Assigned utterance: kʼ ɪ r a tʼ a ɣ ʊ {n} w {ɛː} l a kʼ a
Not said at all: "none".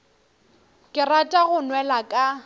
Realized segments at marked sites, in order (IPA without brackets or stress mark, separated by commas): n, ɛ